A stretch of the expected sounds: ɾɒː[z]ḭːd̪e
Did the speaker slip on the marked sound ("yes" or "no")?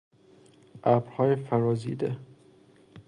no